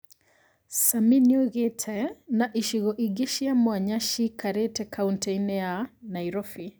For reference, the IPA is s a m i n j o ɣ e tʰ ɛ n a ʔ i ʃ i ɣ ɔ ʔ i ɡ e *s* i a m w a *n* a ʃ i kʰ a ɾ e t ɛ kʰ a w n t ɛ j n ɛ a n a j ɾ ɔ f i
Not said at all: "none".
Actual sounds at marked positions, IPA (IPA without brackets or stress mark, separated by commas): ʃ, ɲ